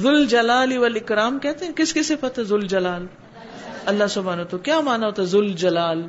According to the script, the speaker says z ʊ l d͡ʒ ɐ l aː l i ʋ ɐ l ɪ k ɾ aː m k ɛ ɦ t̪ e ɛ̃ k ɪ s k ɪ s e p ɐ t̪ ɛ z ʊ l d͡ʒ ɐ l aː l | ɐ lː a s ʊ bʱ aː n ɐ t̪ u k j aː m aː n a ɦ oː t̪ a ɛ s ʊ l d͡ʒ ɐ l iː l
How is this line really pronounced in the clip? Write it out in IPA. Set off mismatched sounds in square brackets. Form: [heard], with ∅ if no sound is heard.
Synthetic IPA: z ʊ l d͡ʒ ɐ l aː l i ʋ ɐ l ɪ k ɾ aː m k ɛ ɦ t̪ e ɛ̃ k ɪ s k ɪ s e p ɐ t̪ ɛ z ʊ l d͡ʒ ɐ l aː l | ɐ lː a s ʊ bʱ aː n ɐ t̪ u k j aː m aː n a ɦ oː t̪ a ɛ [z] ʊ l d͡ʒ ɐ l [aː] l